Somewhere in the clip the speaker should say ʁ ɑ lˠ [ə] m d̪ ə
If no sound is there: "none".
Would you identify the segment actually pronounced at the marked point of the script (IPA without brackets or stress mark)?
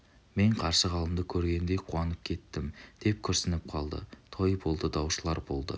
ə